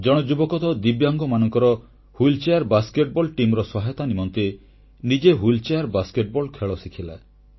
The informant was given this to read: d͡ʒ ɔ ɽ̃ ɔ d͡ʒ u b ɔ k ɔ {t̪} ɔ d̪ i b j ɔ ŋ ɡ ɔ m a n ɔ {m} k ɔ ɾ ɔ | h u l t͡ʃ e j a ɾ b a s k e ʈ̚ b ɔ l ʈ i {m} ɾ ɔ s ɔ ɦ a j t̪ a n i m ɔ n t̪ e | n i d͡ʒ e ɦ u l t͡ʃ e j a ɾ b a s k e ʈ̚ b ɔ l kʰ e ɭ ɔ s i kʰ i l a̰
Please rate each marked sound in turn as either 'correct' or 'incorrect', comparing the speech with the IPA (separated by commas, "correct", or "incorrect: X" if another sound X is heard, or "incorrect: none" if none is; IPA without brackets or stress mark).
correct, incorrect: ŋ, correct